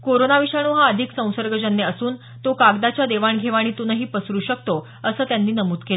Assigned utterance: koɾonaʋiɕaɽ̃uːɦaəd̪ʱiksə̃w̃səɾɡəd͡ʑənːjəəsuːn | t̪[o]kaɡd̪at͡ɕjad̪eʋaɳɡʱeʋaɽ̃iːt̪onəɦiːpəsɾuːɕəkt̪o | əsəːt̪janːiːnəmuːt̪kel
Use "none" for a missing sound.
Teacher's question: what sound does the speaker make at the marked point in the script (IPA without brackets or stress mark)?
o